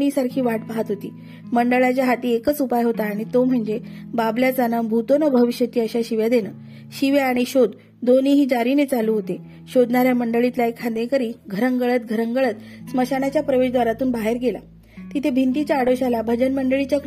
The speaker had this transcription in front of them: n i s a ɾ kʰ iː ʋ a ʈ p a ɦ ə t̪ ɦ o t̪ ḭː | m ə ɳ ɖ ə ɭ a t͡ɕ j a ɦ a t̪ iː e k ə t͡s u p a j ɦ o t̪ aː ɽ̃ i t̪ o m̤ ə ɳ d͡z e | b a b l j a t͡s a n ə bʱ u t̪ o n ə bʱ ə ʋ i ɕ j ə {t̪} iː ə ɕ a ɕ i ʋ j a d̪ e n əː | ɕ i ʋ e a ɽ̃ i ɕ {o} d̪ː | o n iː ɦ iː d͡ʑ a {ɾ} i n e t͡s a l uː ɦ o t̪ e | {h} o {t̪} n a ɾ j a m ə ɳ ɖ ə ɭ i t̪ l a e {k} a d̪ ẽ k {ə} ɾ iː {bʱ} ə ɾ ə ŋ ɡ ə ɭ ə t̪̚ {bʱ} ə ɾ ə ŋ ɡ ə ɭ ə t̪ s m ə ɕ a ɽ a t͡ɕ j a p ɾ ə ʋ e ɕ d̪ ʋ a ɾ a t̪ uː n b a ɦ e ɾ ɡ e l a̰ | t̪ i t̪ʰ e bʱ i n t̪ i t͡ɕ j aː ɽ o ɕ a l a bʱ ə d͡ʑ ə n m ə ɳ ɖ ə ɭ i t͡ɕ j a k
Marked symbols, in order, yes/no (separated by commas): yes, yes, yes, no, no, no, yes, no, no